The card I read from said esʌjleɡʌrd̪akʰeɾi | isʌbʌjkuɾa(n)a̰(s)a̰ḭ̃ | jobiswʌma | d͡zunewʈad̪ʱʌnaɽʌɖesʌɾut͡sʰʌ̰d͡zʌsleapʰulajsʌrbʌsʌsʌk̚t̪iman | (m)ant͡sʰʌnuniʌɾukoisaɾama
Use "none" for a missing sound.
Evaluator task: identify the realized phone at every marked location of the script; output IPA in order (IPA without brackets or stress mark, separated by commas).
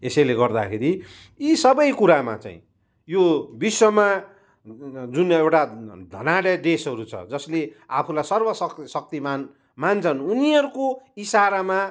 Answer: m, t͡s, m